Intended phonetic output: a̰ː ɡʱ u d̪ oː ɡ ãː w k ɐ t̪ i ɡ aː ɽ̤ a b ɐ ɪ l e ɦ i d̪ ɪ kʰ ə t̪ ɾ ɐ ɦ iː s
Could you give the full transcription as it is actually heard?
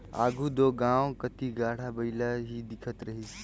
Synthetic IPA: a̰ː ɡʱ u d̪ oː ɡ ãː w k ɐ t̪ i ɡ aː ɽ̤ a b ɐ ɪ l a ɦ i d̪ ɪ kʰ ə t̪ ɾ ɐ ɦ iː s

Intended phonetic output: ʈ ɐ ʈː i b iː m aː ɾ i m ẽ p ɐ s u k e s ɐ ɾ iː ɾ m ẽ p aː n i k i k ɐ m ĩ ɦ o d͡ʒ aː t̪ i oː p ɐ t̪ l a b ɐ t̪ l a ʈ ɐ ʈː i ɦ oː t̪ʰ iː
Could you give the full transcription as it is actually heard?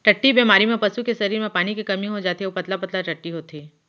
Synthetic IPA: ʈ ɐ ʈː i b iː m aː ɾ i m ẽ p ɐ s u k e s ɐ ɾ iː ɾ m ẽ p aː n i k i k ɐ m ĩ ɦ o d͡ʒ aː t̪ i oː p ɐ t̪ l a p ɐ t̪ l a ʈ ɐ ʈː i ɦ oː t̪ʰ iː

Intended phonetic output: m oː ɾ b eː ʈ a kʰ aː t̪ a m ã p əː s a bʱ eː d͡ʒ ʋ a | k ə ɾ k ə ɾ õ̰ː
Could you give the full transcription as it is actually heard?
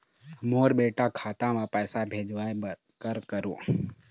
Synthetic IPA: m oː ɾ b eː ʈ a kʰ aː t̪ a m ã p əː s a bʱ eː d͡ʒ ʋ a | k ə ɾ k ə ɾ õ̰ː

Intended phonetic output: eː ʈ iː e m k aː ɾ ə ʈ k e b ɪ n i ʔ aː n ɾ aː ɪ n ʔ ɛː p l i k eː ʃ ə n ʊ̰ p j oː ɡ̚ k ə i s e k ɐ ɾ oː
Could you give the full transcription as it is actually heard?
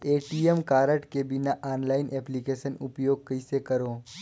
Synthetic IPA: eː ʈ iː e m k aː ɾ ə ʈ k e b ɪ n a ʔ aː n l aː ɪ n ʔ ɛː p l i k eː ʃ ə n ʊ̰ p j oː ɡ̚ k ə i s e k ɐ ɾ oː

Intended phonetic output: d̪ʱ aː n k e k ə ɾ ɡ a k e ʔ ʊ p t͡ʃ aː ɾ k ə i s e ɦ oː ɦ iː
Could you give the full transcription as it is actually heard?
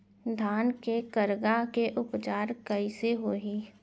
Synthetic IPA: d̪ʱ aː n k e k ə ɾ ɡ a k e ʔ ʊ p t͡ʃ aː ɾ k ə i s e ɦ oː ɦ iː

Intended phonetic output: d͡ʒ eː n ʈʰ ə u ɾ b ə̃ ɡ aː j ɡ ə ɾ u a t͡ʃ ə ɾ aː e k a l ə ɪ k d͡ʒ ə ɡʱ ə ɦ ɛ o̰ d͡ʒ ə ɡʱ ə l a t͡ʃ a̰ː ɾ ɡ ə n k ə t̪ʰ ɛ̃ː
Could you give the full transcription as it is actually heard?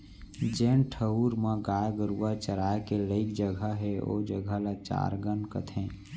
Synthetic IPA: d͡ʒ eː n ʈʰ ə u ɾ m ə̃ ɡ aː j ɡ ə ɾ u a t͡ʃ ə ɾ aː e k e l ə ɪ k d͡ʒ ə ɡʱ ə ɦ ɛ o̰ d͡ʒ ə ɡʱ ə l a t͡ʃ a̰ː ɾ ɡ ə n k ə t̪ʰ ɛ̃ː

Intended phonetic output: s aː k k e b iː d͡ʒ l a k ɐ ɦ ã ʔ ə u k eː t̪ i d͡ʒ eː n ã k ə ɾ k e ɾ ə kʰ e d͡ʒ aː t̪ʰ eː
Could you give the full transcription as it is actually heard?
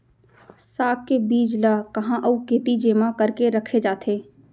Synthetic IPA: s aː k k e b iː d͡ʒ l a k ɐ ɦ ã ʔ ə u k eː t̪ i d͡ʒ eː m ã k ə ɾ k e ɾ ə kʰ e d͡ʒ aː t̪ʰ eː

